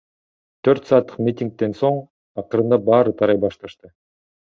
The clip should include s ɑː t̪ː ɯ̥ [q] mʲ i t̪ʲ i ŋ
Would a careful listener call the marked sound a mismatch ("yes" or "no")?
no